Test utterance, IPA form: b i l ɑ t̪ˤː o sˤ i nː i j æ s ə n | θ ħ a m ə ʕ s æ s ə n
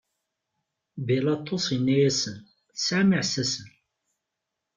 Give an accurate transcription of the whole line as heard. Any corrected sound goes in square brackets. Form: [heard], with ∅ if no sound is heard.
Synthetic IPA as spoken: b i l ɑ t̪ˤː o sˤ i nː [æ] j æ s ə n | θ [s] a m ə ʕ s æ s ə n